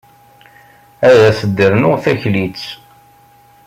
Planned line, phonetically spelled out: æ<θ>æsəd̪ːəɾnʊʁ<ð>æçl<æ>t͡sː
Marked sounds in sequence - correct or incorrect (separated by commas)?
incorrect, incorrect, incorrect